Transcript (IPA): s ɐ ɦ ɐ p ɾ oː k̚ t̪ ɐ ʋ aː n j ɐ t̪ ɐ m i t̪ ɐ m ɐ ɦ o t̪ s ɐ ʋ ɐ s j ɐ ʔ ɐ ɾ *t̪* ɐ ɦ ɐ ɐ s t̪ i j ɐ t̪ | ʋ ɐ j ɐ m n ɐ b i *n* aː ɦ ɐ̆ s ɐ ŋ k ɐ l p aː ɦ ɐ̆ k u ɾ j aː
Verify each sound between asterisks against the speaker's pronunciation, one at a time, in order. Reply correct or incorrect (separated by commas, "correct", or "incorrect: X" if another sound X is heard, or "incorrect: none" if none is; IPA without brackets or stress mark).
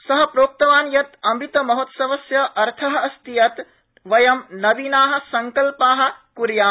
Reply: incorrect: t̪ʰ, correct